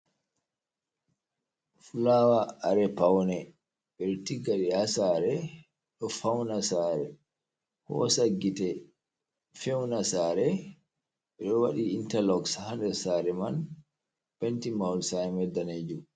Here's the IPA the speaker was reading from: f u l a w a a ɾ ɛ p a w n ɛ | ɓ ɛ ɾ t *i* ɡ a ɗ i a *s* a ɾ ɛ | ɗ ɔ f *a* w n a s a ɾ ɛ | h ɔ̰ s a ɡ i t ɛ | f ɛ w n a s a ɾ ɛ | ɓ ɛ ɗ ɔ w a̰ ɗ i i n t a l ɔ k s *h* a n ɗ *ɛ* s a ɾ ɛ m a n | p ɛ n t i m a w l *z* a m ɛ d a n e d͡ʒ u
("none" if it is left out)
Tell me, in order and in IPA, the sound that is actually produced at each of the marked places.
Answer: i, s, a, h, ɛ, s

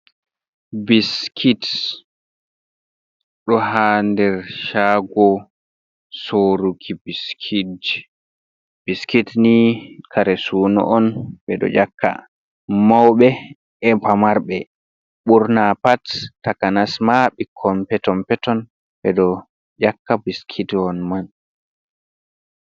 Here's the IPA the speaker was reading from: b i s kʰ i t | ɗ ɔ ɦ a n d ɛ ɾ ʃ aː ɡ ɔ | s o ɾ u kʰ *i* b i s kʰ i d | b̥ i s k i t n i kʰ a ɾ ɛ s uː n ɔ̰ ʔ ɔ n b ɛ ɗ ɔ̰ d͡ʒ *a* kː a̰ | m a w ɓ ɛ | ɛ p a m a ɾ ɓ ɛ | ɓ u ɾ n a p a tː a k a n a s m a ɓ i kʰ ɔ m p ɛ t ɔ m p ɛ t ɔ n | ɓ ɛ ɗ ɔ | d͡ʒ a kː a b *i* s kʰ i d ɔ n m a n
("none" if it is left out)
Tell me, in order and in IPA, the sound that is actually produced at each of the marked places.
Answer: i, a, i

